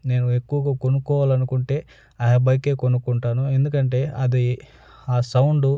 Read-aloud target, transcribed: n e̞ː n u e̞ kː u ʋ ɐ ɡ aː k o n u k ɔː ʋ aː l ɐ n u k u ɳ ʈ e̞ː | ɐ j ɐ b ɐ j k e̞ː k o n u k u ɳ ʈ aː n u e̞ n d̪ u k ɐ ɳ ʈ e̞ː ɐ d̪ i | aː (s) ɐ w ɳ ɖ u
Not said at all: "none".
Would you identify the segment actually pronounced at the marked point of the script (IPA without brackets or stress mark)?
s